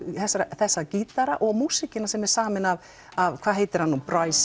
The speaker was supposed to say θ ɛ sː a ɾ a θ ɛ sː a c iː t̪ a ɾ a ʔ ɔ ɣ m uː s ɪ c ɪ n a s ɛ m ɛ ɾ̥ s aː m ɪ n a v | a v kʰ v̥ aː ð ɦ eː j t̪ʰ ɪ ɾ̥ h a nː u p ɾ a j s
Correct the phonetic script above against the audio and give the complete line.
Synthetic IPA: θ ɛ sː a ɾ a θ ɛ sː a c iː t̪ a ɾ a ʔ ɔ ɣ m uː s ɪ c ɪ n a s ɛ m ɛ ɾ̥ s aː m ɪ n a v | a v kʰ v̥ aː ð ɦ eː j t̪ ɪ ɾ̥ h a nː u p ɾ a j s